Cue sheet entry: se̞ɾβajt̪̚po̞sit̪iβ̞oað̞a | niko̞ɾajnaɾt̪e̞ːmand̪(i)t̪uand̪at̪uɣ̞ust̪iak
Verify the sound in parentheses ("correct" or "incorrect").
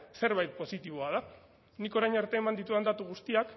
correct